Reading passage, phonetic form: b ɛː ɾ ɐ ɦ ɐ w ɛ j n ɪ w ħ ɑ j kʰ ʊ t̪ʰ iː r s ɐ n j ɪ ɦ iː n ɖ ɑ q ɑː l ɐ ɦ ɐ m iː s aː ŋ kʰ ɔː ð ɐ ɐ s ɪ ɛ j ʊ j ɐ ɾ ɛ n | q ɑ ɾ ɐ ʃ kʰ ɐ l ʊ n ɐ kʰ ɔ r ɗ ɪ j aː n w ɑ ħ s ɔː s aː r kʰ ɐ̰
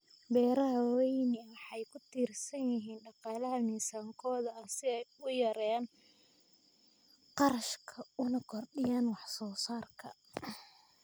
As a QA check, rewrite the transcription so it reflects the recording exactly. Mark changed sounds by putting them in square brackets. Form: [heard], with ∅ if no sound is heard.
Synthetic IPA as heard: b ɛː ɾ ɐ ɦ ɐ w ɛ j n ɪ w ħ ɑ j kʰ ʊ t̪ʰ iː r s ɐ n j ɪ ɦ iː n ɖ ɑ q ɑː l ɐ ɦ ɐ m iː s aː ŋ kʰ ɔː ð ɐ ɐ s ɪ ɛ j ʊ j ɐ ɾ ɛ n | q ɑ ɾ ɐ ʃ kʰ ɐ [∅] ʊ n ɐ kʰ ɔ r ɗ ɪ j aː n w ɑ ħ s ɔː s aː r kʰ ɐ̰